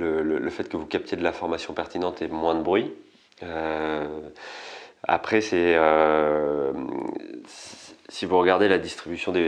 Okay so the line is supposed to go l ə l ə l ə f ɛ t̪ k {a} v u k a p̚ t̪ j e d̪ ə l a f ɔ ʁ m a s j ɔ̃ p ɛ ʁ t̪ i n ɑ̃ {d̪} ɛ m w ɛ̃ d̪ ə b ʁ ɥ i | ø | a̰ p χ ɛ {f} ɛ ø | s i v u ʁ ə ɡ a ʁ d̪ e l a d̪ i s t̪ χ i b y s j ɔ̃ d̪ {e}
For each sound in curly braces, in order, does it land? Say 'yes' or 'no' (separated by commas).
no, no, no, yes